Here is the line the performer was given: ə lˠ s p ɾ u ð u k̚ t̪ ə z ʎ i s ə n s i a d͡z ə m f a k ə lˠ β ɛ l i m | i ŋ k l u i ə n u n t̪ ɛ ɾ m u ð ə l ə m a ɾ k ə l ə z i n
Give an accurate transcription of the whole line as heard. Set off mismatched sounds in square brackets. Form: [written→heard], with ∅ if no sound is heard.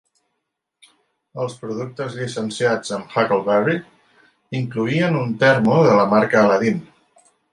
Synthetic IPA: ə lˠ s p ɾ u ð u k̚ t̪ ə z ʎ i s ə n s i a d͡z ə m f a k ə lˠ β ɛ [l→r] i [m→∅] | i ŋ k l u i ə n u n t̪ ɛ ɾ m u ð ə l ə m a ɾ k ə l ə [z→ð] i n